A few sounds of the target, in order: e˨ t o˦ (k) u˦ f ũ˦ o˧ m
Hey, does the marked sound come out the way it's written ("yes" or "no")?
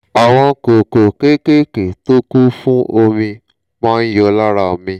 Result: yes